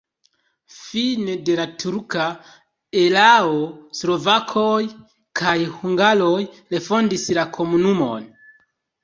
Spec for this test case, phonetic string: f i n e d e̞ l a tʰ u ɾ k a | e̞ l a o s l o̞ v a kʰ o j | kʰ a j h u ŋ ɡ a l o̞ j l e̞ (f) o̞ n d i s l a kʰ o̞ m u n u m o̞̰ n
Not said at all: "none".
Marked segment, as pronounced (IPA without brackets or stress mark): f